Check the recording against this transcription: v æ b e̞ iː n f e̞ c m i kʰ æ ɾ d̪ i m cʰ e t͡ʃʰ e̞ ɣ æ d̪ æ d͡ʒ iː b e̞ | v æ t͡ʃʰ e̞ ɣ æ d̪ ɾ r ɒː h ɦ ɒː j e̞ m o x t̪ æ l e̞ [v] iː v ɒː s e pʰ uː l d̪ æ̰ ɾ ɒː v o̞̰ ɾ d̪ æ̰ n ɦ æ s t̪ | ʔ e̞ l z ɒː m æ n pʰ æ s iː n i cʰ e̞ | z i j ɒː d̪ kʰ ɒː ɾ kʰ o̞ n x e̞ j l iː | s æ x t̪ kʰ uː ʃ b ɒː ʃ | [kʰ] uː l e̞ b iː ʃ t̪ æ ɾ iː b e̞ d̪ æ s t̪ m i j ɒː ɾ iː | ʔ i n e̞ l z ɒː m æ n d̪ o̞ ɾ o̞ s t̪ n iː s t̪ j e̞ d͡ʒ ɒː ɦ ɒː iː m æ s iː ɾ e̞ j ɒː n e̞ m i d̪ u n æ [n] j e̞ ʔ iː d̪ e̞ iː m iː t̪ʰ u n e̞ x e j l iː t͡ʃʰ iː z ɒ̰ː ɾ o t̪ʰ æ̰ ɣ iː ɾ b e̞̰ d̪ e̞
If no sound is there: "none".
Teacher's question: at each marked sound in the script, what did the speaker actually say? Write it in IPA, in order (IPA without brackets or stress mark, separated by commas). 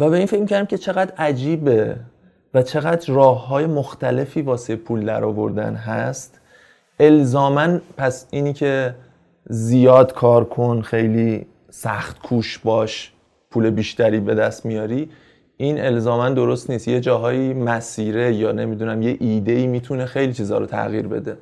f, pʰ, m